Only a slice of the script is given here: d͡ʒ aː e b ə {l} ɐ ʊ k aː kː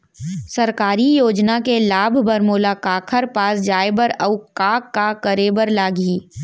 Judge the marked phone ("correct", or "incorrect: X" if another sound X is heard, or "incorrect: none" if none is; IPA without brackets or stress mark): incorrect: ɾ